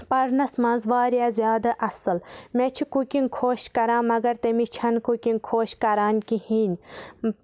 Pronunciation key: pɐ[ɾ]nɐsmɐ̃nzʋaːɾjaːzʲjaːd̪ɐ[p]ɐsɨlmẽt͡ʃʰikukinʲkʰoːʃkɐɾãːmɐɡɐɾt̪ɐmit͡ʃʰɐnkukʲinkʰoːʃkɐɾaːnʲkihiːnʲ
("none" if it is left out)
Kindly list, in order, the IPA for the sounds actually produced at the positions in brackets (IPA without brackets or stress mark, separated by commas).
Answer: ɾ, ʔ